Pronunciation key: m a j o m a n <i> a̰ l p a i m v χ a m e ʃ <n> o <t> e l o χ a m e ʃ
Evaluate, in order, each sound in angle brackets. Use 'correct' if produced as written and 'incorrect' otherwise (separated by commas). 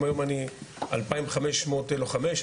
correct, incorrect, correct